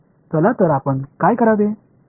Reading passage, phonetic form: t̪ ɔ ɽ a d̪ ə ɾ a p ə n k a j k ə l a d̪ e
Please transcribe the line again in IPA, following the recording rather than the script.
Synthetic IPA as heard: t̪ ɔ l a t̪ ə ɾ a p ə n k a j k ə ɾ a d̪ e